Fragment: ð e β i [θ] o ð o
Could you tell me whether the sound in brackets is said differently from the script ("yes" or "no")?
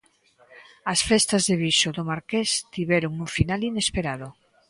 yes